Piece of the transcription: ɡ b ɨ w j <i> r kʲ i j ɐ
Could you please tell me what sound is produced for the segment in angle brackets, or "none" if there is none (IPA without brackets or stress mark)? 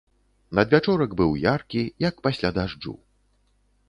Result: a